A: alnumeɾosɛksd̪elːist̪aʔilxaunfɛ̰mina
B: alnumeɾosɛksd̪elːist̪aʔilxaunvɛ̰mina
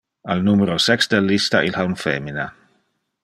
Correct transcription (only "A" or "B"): A